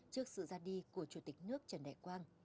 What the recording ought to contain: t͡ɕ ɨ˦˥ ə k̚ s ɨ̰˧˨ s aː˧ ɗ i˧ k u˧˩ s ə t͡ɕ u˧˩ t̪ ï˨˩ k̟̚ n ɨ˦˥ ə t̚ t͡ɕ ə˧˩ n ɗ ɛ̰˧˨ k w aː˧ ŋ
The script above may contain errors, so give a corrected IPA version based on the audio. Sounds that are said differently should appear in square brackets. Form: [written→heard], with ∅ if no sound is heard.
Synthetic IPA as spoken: t͡ɕ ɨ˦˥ ə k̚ s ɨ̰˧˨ [s→z] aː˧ ɗ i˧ k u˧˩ [s→∅] ə t͡ɕ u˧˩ t̪ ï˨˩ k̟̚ n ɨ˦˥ ə [t̚→k̚] t͡ɕ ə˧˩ n ɗ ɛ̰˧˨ k w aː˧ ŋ